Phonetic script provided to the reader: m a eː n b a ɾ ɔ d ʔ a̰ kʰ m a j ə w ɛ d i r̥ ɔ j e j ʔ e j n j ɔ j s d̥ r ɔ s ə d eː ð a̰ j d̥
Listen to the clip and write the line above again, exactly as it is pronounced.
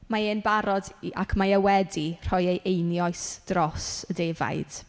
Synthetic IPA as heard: m a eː n b a ɾ ɔ d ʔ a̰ kʰ m a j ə w ɛ d i r̥ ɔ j e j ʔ e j n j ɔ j s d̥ r ɔ s ə d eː v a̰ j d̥